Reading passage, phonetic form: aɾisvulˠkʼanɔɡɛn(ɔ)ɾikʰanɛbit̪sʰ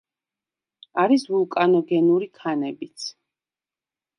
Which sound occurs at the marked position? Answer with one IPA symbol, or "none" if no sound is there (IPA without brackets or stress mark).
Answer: u